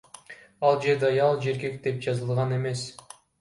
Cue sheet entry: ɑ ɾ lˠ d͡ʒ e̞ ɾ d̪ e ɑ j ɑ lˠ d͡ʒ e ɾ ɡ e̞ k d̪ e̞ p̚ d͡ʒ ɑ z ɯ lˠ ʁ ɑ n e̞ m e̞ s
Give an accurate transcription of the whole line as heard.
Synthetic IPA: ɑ lˠ d͡ʒ e̞ ɾ d̪ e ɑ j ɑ lˠ d͡ʒ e ɾ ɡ e̞ k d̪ e̞ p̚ d͡ʒ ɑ z ɯ lˠ ʁ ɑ n e̞ m e̞ s